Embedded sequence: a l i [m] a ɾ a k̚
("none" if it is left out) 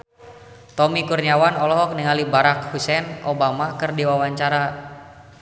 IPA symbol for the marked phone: b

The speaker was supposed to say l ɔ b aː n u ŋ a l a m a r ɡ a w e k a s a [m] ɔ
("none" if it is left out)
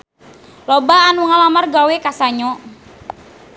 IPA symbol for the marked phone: ɲ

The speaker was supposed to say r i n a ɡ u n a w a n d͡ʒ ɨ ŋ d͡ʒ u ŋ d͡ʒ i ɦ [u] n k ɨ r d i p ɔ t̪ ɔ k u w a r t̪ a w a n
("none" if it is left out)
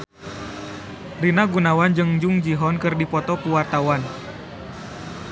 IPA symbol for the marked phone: ɔ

